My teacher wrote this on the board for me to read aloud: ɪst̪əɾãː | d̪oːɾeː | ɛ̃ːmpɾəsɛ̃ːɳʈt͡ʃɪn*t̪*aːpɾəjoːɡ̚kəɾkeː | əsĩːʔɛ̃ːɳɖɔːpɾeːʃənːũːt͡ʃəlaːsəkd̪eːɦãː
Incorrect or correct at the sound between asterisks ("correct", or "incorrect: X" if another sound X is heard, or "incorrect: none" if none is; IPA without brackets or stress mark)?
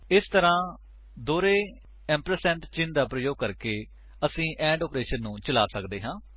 incorrect: d̪